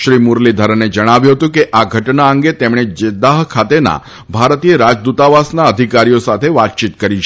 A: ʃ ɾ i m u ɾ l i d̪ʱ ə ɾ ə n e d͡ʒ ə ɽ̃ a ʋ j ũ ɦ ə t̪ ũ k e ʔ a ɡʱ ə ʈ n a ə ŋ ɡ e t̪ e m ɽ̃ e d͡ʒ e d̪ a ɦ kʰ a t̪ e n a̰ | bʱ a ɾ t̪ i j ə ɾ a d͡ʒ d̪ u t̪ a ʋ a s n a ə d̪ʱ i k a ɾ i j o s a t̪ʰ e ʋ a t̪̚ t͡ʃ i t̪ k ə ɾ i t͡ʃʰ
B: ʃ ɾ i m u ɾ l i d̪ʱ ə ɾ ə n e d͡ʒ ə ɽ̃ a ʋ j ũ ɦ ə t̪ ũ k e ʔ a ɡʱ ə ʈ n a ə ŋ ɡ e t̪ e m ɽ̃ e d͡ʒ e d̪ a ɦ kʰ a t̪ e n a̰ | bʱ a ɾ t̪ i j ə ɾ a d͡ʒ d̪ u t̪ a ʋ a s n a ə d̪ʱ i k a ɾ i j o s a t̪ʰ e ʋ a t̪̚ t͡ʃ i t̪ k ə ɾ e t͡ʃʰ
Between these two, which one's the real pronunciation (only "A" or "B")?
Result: A